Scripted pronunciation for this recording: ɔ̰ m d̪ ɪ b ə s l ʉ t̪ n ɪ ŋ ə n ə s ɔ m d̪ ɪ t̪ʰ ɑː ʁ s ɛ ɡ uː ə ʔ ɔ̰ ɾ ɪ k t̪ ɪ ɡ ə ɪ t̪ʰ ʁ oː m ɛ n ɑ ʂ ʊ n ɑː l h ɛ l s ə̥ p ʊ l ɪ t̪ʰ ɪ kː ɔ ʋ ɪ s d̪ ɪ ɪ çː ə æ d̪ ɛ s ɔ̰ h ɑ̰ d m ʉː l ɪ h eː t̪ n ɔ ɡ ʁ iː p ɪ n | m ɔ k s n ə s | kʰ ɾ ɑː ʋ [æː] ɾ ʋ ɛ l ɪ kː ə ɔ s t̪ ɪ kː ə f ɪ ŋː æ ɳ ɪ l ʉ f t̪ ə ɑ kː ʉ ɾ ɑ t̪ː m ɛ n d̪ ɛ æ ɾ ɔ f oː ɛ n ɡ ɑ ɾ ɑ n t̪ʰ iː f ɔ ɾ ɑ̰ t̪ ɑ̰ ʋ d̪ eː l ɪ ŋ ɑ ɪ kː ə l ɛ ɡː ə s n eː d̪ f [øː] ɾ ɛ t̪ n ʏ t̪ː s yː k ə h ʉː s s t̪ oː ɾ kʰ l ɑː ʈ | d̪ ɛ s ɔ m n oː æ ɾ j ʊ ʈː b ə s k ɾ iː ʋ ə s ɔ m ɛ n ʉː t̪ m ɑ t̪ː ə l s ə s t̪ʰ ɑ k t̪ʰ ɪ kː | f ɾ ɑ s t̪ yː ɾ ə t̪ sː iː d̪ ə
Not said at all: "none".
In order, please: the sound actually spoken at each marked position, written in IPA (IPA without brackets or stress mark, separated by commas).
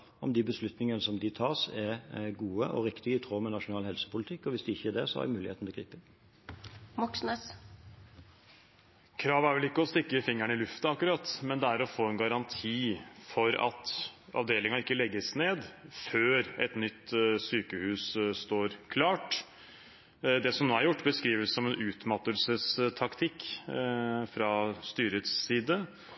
æ, øː